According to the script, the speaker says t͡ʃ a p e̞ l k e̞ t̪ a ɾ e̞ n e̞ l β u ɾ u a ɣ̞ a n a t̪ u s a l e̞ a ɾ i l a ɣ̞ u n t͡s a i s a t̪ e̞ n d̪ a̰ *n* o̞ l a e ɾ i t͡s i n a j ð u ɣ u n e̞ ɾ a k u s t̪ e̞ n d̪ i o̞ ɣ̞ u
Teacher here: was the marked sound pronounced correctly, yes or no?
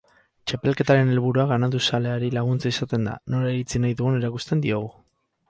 yes